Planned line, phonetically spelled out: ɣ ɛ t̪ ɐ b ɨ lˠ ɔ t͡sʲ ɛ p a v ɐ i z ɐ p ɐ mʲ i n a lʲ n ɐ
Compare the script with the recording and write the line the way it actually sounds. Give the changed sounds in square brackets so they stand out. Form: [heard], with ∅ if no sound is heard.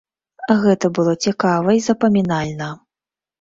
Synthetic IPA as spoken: ɣ ɛ t̪ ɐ b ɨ lˠ ɔ t͡sʲ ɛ [k] a v ɐ i z ɐ p ɐ mʲ i n a lʲ n ɐ